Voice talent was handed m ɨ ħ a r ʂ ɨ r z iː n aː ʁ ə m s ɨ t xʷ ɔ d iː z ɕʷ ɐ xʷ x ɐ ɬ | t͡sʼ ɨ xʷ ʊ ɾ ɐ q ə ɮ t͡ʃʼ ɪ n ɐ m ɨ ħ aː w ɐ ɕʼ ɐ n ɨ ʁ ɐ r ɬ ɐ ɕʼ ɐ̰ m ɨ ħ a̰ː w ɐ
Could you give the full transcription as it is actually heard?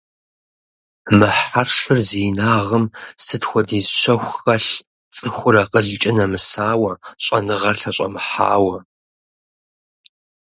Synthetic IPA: m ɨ ħ a r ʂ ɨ r z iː n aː ʁ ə m s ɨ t xʷ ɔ d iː z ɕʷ ɐ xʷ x ɐ ɬ | t͡sʼ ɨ xʷ ʊ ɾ ɐ q ə ɮ t͡ʃʼ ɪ n ɐ m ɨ s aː w ɐ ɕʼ ɐ n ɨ ʁ ɐ r ɬ ɐ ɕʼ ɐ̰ m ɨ ħ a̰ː w ɐ